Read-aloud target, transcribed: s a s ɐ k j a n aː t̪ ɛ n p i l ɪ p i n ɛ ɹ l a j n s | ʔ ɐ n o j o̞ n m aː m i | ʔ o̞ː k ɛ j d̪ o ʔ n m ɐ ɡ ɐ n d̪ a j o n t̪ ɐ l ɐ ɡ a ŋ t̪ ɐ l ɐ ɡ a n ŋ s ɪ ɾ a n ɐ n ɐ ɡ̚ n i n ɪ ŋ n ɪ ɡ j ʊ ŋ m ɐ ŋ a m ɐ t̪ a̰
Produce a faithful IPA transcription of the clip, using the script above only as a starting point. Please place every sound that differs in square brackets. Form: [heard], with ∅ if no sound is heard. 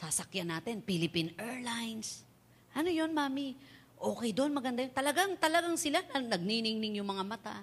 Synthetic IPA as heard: s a s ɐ k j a n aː t̪ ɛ n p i l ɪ p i n ɛ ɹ l a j n s | ʔ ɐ n o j o̞ n m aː m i | ʔ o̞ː k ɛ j d̪ o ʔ n m ɐ ɡ ɐ n d̪ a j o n t̪ ɐ l ɐ ɡ a ŋ t̪ ɐ l ɐ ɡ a [∅] ŋ s ɪ [l] a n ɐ n ɐ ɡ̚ n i n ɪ ŋ n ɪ [ŋ] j ʊ ŋ m ɐ ŋ a m ɐ t̪ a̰